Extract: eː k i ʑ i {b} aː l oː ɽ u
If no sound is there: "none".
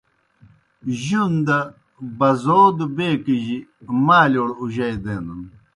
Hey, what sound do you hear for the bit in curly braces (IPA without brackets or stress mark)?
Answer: m